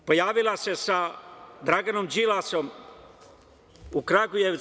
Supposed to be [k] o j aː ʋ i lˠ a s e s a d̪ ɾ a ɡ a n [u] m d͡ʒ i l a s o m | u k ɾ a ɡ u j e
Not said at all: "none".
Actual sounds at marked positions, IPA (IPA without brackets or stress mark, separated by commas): p, o